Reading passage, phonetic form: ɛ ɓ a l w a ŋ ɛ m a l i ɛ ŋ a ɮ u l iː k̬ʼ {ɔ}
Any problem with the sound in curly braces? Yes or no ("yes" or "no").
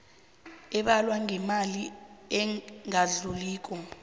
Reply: no